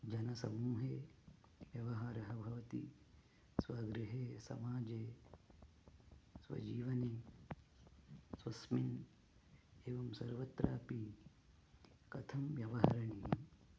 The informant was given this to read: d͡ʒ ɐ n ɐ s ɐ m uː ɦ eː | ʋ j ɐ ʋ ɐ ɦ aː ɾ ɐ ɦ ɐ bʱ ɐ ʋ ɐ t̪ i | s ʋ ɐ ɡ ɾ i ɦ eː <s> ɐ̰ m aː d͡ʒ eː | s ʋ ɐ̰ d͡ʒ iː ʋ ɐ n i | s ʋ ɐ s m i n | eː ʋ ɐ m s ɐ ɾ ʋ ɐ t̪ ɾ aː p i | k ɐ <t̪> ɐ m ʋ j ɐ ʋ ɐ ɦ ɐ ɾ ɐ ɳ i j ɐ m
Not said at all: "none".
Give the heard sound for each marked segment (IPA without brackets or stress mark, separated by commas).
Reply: s, t̪ʰ